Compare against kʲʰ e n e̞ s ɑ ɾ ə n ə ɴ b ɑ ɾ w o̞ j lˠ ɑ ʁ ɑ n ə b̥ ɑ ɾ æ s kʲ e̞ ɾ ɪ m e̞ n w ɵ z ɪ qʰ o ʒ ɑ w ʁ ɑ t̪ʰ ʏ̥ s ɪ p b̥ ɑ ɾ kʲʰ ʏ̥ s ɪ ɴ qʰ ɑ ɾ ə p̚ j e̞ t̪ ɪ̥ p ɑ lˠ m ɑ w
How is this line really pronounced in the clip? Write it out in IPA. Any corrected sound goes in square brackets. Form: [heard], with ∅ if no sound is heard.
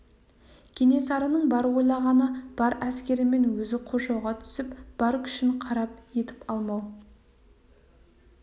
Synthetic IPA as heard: kʲʰ e n e̞ s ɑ ɾ ə n ə ɴ b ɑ ɾ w o̞ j lˠ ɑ ʁ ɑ n ə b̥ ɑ ɾ æ s kʲ e̞ ɾ ɪ m e̞ n w ɵ z ɪ qʰ o ʒ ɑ w ʁ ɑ t̪ʰ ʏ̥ s ɪ p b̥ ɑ ɾ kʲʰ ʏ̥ [ʃ] ɪ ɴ qʰ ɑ ɾ [ɑ] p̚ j e̞ t̪ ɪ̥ p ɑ lˠ m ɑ w

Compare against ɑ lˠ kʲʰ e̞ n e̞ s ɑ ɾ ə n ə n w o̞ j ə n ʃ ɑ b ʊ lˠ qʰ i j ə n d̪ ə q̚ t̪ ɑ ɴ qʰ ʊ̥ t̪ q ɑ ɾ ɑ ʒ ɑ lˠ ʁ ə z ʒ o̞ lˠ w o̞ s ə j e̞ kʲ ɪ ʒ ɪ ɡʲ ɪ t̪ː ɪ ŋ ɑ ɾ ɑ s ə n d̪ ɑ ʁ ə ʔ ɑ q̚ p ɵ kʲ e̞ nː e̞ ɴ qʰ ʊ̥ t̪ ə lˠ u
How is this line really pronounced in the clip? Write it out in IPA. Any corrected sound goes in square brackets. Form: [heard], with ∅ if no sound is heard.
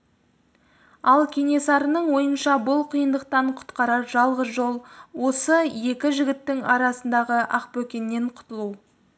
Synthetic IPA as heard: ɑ lˠ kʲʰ e̞ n e̞ s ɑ ɾ ə n ə [ɴ] w o̞ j ə n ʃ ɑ b ʊ lˠ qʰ i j ə n d̪ ə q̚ t̪ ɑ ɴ qʰ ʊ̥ t̪ q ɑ ɾ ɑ ʒ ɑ lˠ ʁ ə z ʒ o̞ lˠ w o̞ s ə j e̞ kʲ ɪ ʒ ɪ ɡʲ ɪ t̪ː ɪ ŋ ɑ ɾ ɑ s ə n d̪ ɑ ʁ ə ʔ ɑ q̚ p ɵ kʲ e̞ nː e̞ ɴ qʰ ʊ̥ t̪ ə lˠ u

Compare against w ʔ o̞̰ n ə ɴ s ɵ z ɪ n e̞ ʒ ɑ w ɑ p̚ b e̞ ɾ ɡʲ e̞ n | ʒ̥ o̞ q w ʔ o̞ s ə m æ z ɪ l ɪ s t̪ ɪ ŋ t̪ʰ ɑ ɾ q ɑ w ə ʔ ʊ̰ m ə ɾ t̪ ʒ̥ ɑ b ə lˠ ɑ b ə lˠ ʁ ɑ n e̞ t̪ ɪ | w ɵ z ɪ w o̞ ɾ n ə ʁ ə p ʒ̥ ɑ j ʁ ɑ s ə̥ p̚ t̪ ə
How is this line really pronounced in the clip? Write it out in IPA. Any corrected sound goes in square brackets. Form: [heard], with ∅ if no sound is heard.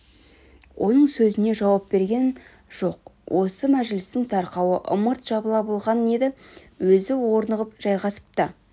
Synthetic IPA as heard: w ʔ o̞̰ n ə ɴ s ɵ z ɪ n e̞ ʒ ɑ w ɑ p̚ b e̞ ɾ ɡʲ e̞ n | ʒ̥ o̞ q w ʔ o̞ s ə m æ [ʒ] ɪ l ɪ s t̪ ɪ ŋ t̪ʰ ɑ ɾ q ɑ w ə ʔ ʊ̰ m ə ɾ t̪ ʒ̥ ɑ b ə lˠ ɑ b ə lˠ ʁ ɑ n e̞ [d̪] ɪ | w ɵ z ɪ w o̞ ɾ n ə ʁ ə p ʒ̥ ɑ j ʁ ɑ s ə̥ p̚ t̪ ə

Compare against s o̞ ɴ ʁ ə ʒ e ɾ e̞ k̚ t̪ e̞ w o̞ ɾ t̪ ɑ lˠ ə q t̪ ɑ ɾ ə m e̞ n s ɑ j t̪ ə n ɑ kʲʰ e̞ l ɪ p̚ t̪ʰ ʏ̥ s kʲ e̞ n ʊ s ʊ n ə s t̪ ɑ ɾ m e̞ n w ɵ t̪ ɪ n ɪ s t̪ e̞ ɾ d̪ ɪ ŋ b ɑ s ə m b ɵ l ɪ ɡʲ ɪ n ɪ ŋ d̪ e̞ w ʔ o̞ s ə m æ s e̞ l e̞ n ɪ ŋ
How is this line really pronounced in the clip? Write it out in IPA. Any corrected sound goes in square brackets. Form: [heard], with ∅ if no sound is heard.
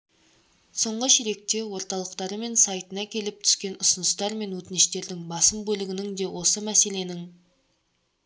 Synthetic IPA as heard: s o̞ ɴ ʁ ə [ʃ] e ɾ e̞ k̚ t̪ e̞ w o̞ ɾ t̪ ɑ lˠ ə q t̪ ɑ ɾ ə m e̞ n s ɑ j t̪ ə n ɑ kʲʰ e̞ l ɪ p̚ t̪ʰ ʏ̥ s kʲ e̞ n ʊ s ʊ n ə s t̪ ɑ ɾ m e̞ n w ɵ t̪ ɪ n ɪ [ʃ] t̪ e̞ ɾ d̪ ɪ ŋ b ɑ s ə m b ɵ l ɪ ɡʲ ɪ n ɪ ŋ d̪ e̞ w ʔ o̞ s ə m æ s e̞ l e̞ n ɪ ŋ

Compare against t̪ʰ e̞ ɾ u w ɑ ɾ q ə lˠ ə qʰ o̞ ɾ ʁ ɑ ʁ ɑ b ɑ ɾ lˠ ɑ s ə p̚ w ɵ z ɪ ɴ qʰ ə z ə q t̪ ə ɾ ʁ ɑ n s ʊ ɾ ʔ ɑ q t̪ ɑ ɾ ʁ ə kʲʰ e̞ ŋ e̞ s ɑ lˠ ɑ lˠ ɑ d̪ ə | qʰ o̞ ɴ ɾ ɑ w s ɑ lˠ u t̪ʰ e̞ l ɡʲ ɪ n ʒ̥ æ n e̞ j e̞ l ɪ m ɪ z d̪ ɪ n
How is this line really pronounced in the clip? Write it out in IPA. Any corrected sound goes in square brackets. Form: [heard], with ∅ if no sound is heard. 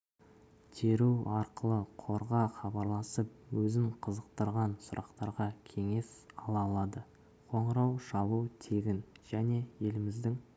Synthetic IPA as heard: t̪ʰ e̞ ɾ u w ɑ ɾ q ə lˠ ə qʰ o̞ ɾ ʁ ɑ [χ] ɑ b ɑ ɾ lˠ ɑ s ə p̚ w ɵ z ɪ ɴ qʰ ə z ə q t̪ ə ɾ ʁ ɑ n s ʊ ɾ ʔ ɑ q t̪ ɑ ɾ ʁ [ɑ] kʲʰ e̞ ŋ e̞ s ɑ lˠ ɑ lˠ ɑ d̪ ə | qʰ o̞ ɴ ɾ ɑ w [ʃ] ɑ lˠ u t̪ʰ e̞ [∅] ɡʲ ɪ n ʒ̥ æ n e̞ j e̞ l ɪ m ɪ z d̪ ɪ [ŋ]

